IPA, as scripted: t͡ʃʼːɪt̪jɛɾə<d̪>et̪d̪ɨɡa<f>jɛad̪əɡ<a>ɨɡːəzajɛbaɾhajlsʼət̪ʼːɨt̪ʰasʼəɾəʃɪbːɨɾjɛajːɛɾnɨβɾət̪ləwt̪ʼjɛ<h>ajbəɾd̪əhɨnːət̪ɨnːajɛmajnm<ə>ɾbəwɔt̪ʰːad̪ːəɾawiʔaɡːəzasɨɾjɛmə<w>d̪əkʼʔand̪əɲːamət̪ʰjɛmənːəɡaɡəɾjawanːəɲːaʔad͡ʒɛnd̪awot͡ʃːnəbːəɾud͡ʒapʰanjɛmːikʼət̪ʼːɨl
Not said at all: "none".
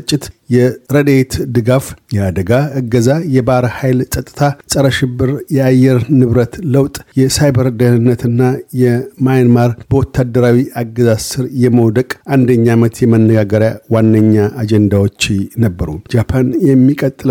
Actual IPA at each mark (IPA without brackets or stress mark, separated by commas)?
d̪, f, a, s, a, w